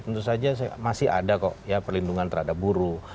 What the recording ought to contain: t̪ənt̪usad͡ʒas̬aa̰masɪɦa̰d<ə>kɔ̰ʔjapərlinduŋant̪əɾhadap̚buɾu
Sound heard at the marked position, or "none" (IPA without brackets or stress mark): a